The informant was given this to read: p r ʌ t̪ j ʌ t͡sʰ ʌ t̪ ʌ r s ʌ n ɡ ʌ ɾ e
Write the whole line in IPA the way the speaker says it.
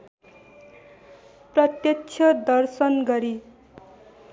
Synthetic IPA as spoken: p r ʌ t̪ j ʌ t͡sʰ ʌ d̪ ʌ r s ʌ n ɡ ʌ ɾ i